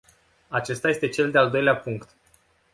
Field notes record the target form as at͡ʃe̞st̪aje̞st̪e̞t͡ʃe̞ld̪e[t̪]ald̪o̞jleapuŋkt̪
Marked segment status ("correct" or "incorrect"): incorrect